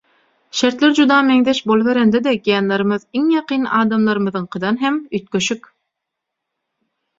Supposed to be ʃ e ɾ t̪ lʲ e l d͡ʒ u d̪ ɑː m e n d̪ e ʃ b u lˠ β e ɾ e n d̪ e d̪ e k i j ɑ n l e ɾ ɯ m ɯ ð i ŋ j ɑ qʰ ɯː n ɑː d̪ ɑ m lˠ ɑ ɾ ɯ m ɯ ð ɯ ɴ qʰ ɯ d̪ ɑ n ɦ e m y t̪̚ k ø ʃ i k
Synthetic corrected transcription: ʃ e ɾ t̪ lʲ e ɾ d͡ʒ u d̪ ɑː m e ŋ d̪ e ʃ b o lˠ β e ɾ e n d̪ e d̪ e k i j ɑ n l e ɾ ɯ m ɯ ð i ŋ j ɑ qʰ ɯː n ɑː d̪ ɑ m lˠ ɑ ɾ ɯ m ɯ ð ɯ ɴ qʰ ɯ d̪ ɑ n ɦ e m y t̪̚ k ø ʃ y k